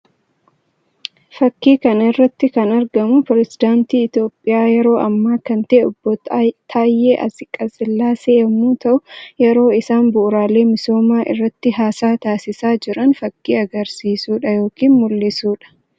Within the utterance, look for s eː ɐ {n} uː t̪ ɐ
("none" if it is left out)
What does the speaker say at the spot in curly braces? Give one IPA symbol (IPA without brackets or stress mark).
m